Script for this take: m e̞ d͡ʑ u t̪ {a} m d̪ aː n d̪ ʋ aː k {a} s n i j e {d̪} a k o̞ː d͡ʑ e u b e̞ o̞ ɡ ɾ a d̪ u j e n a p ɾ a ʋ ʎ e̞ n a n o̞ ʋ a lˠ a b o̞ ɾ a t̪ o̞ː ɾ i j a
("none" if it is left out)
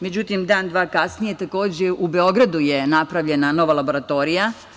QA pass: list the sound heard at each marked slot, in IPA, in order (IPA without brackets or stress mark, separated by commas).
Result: i, a, t̪